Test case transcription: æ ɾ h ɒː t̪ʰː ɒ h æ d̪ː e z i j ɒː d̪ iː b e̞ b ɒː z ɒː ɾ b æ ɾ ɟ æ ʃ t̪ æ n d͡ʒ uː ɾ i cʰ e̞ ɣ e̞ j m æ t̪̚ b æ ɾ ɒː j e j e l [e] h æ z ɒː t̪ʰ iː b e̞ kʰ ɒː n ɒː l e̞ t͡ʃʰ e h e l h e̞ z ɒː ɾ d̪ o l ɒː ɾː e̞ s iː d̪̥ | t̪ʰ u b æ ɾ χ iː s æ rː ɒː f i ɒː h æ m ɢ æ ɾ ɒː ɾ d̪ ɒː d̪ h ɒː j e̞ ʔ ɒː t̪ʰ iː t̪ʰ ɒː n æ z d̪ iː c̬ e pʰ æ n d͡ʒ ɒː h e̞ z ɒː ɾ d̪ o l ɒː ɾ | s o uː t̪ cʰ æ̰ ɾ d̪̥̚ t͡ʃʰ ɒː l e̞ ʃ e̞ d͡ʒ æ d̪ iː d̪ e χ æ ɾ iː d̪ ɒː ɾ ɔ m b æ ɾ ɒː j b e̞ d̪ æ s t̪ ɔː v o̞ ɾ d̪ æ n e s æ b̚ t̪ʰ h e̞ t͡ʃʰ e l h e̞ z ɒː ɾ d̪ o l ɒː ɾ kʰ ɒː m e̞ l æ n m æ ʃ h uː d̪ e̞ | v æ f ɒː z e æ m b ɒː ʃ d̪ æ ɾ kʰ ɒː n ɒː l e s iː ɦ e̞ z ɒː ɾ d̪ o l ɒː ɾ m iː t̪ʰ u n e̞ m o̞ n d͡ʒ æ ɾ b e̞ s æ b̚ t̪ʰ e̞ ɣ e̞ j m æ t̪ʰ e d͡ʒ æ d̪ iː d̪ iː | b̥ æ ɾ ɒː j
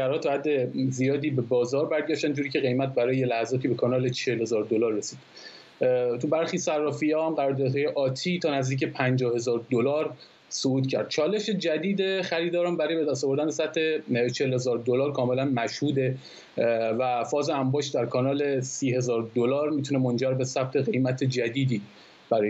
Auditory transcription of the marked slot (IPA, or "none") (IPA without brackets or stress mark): æ